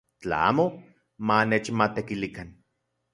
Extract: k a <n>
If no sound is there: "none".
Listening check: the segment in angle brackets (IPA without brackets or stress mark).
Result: n